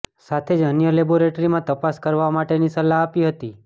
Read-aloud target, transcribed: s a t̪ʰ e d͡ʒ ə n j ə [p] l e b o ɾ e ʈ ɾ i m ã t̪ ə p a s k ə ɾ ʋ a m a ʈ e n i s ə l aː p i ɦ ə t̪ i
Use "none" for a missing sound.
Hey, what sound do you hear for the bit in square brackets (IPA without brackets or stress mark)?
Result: none